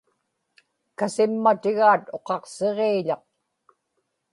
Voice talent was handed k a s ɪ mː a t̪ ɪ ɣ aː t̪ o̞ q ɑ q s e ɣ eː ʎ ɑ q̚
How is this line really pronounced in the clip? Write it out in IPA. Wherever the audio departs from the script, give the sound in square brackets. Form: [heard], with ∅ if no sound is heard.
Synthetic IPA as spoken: k a s ɪ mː a t̪ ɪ ɣ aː t̪ o̞ q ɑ q s e [ʁ] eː ʎ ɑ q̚